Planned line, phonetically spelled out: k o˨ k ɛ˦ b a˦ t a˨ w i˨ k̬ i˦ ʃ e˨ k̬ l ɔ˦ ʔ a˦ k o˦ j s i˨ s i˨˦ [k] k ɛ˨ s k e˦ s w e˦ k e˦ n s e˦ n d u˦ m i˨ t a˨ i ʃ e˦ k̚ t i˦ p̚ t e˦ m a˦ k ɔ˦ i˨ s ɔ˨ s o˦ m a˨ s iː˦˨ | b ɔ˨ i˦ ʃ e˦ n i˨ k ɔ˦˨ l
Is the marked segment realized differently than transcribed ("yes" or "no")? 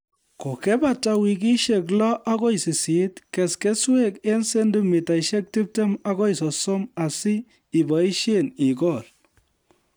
yes